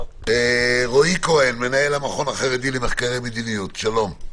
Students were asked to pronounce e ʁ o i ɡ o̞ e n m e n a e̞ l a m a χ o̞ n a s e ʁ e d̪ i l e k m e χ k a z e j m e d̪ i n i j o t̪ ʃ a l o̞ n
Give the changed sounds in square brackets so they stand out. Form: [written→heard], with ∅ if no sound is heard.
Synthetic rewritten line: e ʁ o i [ɡ→k] o̞ e n m e n a e̞ l a m a χ o̞ n a [s→χ] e ʁ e d̪ i l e [k→∅] m e χ k a [z→ʁ] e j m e d̪ i n i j [o→u] t̪ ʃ a l o̞ [n→m]